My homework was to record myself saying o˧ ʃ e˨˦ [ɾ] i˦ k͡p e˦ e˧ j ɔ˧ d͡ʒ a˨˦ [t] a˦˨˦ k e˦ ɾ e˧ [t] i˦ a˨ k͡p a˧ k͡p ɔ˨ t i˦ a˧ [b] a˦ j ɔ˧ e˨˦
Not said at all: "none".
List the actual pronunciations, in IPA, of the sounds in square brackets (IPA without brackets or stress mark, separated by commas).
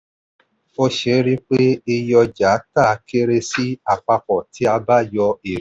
ɾ, t, s, b